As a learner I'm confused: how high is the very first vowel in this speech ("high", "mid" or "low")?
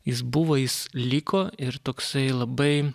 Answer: high